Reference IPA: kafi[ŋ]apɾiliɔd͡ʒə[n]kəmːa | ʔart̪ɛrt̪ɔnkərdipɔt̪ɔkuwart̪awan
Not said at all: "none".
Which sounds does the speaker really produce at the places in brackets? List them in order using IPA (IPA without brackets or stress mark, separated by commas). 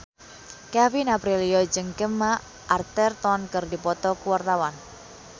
n, ŋ